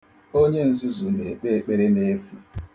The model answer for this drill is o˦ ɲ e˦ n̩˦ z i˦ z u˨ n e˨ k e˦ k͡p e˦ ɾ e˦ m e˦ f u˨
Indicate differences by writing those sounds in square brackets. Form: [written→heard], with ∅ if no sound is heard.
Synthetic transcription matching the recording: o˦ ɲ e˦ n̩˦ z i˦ z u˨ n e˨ [k→k͡p] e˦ k͡p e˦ ɾ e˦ [m→n] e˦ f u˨